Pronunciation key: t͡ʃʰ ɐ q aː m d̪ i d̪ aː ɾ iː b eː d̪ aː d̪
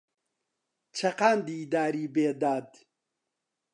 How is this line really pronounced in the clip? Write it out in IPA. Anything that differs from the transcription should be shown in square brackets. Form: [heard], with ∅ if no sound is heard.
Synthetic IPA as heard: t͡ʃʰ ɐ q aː [n] d̪ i d̪ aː ɾ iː b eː d̪ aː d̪